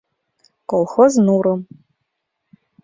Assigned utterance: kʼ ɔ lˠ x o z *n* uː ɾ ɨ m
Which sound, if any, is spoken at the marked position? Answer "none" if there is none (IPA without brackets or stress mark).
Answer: n